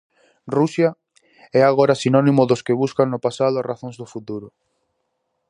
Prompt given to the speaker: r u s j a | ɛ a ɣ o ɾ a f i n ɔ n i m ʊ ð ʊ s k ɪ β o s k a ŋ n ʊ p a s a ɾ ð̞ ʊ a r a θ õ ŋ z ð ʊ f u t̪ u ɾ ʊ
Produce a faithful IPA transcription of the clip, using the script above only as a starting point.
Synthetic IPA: r u s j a | ɛ a ɣ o ɾ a s i n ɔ n i m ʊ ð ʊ s k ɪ β u s k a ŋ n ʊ p a s a ð̞ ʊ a r a θ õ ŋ z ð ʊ f u t̪ u ɾ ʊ